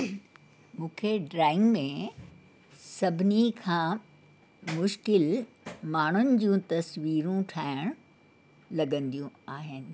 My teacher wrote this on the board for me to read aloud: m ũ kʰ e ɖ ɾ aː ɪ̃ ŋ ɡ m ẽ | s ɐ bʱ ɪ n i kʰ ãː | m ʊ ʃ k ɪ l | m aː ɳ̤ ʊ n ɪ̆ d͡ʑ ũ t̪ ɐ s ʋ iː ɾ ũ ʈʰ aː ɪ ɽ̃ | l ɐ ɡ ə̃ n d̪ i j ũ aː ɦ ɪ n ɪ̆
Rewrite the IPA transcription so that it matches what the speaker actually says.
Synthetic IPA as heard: m ũː kʰ e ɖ ɾ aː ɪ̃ ŋ ɡ m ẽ | s ɐ bʱ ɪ n i kʰ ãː | m ʊ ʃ k ɪ l | m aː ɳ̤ ʊ n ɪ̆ d͡ʑ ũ t̪ ɐ s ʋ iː ɾ ũ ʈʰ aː ɪ ɽ̃ | l ɐ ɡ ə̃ n d̪ i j ũ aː ɦ ɪ n ɪ̆